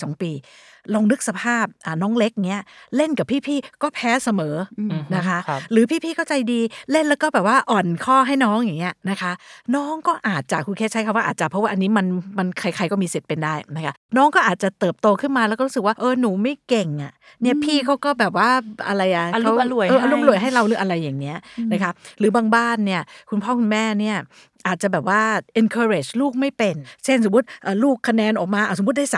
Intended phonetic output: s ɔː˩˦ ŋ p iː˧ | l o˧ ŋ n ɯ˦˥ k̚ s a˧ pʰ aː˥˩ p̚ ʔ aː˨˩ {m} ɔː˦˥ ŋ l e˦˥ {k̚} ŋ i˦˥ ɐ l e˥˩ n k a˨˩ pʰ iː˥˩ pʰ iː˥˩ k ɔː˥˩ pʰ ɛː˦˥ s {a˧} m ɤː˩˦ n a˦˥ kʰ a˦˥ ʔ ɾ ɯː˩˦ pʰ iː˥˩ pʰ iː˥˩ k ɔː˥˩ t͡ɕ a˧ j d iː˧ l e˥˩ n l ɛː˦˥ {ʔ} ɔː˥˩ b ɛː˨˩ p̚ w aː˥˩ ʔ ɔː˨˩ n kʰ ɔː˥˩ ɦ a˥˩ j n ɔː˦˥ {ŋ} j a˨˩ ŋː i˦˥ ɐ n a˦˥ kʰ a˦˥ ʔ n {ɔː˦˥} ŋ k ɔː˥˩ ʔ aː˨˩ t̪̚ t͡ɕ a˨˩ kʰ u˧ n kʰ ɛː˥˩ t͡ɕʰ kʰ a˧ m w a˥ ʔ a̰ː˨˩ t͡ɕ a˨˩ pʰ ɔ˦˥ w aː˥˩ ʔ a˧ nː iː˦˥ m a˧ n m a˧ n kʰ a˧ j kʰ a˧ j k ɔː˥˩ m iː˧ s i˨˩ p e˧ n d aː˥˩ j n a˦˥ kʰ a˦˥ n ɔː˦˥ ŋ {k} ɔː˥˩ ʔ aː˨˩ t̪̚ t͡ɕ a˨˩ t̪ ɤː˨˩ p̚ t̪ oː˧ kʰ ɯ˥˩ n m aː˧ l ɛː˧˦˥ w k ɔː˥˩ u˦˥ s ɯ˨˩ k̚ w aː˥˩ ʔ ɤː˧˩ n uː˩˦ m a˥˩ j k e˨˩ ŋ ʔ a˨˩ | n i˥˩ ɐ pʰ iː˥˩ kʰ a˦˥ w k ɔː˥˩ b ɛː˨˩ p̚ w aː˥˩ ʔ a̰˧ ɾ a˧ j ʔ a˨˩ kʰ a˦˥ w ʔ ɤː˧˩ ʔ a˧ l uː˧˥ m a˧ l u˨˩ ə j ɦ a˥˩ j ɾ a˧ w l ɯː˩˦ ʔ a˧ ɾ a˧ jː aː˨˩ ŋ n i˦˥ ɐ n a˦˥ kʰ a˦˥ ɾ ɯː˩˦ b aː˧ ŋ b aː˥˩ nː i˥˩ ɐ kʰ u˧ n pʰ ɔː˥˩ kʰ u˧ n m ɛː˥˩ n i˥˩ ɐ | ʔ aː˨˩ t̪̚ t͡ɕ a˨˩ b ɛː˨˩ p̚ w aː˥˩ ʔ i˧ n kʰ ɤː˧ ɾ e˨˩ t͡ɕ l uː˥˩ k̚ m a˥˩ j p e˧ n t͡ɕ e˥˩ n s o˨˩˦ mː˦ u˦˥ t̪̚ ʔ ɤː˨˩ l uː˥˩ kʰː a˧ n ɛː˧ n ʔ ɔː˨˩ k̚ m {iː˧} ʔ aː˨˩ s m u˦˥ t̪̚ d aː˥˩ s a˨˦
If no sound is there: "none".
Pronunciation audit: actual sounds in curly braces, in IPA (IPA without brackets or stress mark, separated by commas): n, k̚, a˧, k, ŋ, ɔː˦˥, k, aː˧